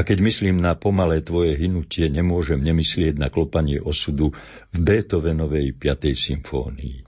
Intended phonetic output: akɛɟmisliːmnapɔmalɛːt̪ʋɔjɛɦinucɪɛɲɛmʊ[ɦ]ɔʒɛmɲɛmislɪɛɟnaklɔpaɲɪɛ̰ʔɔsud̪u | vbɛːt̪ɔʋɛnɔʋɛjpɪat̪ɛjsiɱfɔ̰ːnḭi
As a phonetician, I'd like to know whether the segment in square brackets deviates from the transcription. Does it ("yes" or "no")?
yes